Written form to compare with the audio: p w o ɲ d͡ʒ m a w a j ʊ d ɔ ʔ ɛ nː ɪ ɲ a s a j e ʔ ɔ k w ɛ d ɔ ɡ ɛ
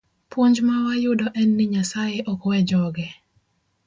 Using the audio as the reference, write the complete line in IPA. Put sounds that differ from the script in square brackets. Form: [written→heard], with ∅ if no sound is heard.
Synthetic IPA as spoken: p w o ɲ d͡ʒ m a w a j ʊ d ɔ ʔ ɛ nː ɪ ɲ a s a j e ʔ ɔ k w ɛ [d→d͡ʒ] ɔ ɡ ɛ